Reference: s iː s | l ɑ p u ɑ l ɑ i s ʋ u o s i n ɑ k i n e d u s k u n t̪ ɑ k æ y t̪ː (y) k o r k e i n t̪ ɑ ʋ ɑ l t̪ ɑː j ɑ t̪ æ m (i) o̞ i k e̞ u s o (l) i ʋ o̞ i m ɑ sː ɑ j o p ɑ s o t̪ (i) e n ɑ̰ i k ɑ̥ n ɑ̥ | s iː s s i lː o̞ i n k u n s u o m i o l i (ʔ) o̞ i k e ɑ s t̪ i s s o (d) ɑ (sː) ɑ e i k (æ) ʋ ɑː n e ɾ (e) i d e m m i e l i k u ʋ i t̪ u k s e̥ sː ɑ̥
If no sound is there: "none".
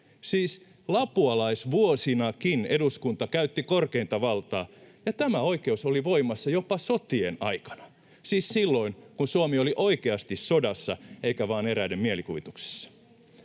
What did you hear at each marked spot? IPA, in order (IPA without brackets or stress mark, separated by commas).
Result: i, æ, l, i, ʔ, d, sː, æ, æ